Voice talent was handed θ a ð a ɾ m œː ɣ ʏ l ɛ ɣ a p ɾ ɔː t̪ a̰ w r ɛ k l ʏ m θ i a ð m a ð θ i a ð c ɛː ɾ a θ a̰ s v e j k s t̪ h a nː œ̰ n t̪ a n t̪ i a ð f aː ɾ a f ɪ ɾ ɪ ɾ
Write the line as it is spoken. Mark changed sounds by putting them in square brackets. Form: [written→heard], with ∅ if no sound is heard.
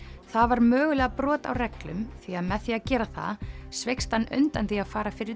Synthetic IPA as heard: θ a [ð→v] a ɾ m œː ɣ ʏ l ɛ ɣ a p ɾ ɔː t̪ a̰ w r ɛ k l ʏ m θ i a ð m [a→ɛ] ð θ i a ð c ɛː ɾ a θ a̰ s v e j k s t̪ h a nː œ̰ n t̪ a n t̪ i a ð f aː ɾ a f ɪ ɾ ɪ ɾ